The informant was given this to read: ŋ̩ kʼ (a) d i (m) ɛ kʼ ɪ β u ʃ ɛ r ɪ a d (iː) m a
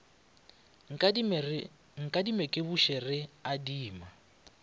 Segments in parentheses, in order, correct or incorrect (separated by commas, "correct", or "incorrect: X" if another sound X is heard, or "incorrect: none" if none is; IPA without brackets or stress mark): correct, correct, correct